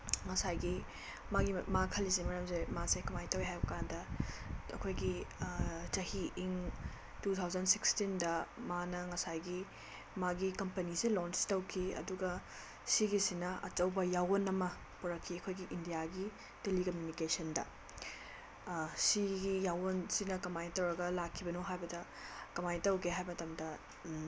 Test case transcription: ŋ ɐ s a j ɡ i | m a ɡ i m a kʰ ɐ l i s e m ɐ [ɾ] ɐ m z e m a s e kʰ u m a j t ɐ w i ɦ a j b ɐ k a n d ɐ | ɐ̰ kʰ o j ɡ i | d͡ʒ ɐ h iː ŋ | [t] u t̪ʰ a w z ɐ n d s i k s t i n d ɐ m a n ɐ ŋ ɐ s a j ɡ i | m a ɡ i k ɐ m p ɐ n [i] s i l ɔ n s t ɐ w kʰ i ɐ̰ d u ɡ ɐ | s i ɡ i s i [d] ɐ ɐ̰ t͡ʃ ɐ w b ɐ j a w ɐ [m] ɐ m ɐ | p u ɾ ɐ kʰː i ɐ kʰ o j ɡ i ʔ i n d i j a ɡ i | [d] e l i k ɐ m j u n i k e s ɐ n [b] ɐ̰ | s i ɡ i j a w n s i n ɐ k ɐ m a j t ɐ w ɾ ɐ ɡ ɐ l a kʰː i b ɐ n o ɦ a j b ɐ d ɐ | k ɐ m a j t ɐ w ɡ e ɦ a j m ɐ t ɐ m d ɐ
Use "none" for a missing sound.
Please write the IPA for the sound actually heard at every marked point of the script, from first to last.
ɾ, t, i, n, n, t, d

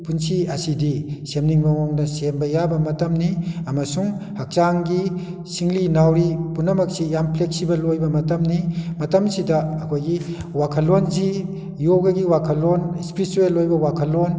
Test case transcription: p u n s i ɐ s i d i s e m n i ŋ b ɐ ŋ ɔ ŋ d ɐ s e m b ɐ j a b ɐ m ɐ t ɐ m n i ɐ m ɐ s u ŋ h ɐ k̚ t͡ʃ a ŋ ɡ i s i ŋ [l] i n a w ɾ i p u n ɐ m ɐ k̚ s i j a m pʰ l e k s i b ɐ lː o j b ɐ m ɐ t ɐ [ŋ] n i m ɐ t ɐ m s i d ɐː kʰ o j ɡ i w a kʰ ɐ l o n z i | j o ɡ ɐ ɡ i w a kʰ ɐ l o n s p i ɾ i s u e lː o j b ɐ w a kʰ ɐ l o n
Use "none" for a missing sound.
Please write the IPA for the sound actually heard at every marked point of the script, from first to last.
l, m

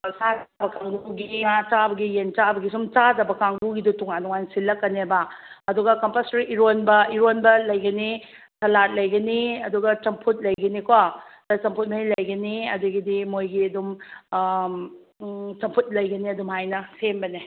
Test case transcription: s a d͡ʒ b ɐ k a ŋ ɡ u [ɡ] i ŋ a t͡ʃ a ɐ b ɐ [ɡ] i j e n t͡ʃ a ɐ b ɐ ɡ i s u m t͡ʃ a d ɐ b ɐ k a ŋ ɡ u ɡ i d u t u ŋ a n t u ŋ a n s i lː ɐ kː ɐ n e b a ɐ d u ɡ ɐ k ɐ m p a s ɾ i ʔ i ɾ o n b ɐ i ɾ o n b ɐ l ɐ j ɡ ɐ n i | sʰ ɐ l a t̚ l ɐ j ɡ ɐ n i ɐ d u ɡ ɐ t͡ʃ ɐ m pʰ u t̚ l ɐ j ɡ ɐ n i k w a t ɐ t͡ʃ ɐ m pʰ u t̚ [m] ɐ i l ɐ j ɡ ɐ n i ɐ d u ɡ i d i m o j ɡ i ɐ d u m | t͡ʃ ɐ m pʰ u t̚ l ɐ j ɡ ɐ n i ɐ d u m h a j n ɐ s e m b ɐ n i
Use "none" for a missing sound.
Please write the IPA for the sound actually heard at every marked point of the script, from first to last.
ɡ, ɡ, m

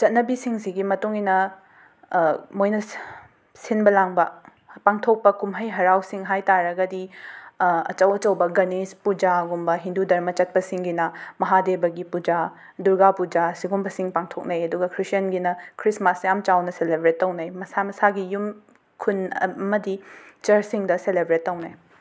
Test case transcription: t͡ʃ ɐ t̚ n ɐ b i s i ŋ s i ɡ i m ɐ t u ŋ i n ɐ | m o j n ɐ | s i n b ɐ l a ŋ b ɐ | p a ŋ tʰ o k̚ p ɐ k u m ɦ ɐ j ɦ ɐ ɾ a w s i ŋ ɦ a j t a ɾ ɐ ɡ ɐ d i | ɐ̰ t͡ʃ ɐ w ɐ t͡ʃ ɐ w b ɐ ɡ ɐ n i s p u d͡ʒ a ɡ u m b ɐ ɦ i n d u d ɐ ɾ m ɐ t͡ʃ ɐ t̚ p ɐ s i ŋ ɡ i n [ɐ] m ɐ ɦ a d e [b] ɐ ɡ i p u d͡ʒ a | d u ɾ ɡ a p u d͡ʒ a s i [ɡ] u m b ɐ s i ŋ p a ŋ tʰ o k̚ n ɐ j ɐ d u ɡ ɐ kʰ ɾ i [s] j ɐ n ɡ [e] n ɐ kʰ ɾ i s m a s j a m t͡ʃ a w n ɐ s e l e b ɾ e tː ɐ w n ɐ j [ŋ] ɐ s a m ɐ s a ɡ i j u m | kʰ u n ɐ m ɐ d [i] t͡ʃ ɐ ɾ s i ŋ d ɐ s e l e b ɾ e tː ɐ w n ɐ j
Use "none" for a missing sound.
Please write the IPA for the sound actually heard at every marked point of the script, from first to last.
ɐ, b, ɡ, s, i, m, i

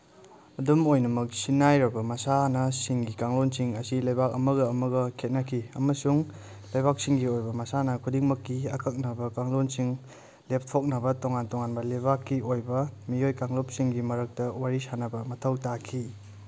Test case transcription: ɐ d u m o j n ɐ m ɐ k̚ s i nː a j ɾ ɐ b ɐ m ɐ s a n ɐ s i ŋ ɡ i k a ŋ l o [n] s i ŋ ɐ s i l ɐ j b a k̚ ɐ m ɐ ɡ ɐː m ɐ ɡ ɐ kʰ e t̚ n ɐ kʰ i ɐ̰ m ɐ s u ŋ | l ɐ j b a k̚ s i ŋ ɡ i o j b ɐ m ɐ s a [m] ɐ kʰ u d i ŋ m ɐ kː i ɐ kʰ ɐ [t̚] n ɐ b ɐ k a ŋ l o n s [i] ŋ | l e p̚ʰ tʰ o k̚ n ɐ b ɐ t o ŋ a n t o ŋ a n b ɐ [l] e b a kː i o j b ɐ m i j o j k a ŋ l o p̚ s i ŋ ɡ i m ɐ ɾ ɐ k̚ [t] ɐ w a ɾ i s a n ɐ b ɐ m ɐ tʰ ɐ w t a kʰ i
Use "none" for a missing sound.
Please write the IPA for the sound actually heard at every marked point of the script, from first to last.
n, n, k̚, i, l, t

